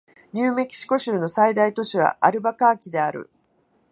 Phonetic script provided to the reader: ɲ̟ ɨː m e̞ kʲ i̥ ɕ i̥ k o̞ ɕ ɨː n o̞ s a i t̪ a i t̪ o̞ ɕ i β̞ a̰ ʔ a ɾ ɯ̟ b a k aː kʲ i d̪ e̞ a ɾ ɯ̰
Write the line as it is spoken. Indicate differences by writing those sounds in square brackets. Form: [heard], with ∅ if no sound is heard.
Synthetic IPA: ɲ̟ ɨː m e̞ kʲ i̥ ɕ i̥ k o̞ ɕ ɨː n o̞ s a i [d̪] a i t̪ o̞ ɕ i β̞ a̰ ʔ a ɾ ɯ̟ b a k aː kʲ i d̪ e̞ a ɾ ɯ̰